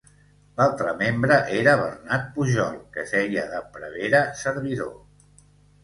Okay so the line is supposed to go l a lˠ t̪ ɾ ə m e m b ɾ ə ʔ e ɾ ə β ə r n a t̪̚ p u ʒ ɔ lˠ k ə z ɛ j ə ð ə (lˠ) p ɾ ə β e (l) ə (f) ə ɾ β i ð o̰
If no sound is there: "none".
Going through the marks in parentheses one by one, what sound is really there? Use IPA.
none, ɾ, s

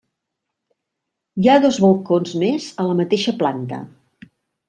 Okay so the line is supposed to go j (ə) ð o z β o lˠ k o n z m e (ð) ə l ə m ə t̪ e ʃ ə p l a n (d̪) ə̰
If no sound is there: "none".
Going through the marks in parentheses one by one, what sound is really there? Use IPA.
a, z, t̪

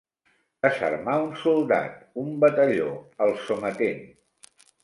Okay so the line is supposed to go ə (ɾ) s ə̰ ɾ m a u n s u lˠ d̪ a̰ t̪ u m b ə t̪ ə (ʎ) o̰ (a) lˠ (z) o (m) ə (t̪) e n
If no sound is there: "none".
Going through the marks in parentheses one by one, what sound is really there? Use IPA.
none, ʎ, ə, s, m, t̪

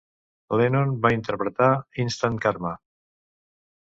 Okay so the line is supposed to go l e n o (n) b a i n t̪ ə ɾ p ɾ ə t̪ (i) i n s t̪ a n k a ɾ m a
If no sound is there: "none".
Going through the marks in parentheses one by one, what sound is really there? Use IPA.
n, a

